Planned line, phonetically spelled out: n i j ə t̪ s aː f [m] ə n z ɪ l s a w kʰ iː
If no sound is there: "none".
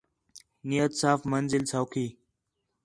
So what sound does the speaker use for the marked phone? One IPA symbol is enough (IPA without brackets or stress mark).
m